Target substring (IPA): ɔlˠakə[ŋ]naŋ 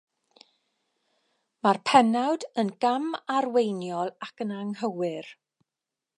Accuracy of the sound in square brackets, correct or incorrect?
incorrect